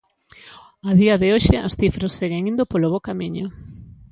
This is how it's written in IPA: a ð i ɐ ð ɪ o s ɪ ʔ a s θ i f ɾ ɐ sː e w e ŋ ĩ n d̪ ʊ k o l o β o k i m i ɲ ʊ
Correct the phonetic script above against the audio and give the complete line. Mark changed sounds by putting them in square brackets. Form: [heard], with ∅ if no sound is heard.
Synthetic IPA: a ð i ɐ ð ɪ o [ʃ] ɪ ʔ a s θ i f ɾ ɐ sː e [ɣ] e ŋ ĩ n d̪ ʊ [p] o l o β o k [a] m i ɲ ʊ